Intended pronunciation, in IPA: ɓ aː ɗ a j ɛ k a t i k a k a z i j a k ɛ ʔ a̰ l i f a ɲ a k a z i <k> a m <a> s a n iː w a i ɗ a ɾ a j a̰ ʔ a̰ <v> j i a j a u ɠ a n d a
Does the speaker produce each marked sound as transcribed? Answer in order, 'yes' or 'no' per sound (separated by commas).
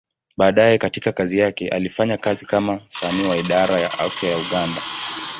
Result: yes, yes, no